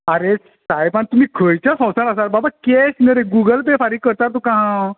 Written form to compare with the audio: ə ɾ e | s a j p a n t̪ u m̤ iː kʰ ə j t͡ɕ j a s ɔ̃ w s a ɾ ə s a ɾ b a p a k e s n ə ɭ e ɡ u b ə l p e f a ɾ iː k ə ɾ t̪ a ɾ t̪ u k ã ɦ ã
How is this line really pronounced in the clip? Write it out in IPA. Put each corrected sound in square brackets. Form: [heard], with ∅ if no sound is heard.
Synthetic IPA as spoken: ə ɾ e | s a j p a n t̪ u m̤ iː kʰ ə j t͡ɕ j a s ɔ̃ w s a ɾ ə s a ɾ b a [b] a k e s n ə [ɾ] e ɡ u [ɡ] ə l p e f a ɾ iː k ə ɾ t̪ a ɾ t̪ u k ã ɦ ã